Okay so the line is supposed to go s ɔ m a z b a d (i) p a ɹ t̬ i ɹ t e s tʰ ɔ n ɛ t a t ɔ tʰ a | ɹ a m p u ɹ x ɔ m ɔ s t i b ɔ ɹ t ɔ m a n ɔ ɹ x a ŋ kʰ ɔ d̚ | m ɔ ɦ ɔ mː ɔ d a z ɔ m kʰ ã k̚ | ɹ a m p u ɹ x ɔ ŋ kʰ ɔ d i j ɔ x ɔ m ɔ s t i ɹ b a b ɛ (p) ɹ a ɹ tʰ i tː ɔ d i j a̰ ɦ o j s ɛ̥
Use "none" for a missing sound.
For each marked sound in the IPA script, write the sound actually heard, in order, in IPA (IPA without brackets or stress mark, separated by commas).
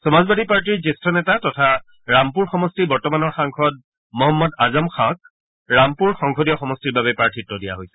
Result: i, p